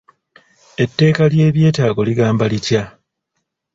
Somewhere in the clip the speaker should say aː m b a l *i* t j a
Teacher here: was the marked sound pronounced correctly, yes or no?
yes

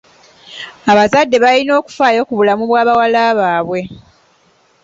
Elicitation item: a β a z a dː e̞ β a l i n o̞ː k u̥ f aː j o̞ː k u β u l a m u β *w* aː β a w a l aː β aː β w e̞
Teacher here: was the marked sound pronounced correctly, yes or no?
yes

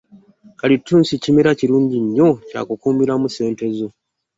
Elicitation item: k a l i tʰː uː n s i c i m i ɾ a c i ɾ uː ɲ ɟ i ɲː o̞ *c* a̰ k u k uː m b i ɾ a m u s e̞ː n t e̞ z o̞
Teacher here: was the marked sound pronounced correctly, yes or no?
yes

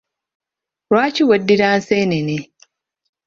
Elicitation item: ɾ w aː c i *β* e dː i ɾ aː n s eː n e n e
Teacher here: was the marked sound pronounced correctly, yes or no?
no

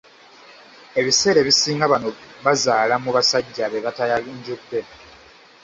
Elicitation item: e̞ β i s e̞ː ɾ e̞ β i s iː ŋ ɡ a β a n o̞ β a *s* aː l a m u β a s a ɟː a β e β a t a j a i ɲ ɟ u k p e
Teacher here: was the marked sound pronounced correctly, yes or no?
no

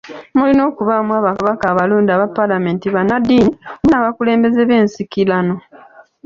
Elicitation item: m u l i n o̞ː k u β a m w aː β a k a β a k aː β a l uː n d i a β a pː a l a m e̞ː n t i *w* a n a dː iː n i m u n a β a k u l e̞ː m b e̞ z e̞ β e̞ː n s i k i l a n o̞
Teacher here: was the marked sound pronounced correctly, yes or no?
no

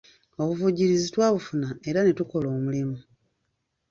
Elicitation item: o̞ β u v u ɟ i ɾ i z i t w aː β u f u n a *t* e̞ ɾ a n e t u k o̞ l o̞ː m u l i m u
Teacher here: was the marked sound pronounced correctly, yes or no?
no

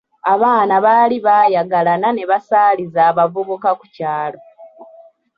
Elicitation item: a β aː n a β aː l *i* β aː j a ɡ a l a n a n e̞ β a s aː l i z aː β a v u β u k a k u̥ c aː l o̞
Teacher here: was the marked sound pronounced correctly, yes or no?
yes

